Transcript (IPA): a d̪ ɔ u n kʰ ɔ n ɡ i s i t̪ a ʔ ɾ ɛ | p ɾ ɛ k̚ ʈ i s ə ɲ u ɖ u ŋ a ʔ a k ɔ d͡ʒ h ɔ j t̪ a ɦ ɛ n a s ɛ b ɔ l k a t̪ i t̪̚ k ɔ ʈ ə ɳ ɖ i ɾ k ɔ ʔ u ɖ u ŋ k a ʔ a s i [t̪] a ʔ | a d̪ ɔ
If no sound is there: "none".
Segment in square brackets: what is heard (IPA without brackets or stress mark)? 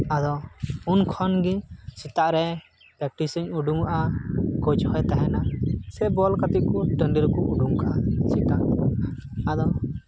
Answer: t̪